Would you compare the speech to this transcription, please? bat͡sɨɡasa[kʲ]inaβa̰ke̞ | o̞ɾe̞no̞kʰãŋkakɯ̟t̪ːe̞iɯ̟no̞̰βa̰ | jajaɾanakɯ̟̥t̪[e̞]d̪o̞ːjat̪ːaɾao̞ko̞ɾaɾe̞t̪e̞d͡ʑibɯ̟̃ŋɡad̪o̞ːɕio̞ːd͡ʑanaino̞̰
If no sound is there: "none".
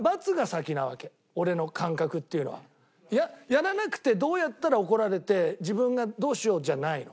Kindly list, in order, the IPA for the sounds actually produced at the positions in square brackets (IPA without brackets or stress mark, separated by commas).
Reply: kʲ, e̞